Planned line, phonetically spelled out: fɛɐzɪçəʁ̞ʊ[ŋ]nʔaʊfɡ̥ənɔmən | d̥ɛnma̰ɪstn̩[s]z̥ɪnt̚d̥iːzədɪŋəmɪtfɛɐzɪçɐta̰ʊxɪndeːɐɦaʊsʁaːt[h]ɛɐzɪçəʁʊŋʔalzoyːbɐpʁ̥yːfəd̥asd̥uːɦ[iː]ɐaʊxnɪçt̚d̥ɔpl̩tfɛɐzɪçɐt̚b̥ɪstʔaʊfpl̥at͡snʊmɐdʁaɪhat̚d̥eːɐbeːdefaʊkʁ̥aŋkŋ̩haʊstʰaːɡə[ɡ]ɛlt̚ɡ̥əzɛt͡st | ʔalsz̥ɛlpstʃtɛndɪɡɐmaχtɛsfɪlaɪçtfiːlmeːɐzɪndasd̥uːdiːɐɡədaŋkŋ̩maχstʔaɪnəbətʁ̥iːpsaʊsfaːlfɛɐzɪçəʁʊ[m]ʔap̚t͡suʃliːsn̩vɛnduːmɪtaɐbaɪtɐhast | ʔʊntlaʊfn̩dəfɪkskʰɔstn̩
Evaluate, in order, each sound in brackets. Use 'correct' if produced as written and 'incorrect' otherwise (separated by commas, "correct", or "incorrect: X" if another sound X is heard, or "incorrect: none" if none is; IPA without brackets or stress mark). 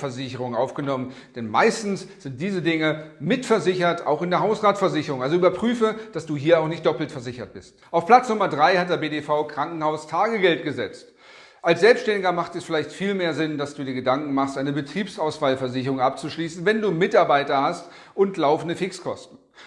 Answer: correct, correct, incorrect: f, correct, correct, incorrect: ŋ